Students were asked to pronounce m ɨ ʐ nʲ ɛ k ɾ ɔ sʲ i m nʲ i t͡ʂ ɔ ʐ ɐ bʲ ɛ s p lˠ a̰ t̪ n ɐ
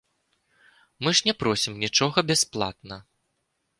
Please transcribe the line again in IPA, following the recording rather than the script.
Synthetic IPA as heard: m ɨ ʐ nʲ ɛ p ɾ ɔ sʲ i m nʲ i t͡ʂ ɔ ɣ ɐ bʲ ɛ s p lˠ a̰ t̪ n ɐ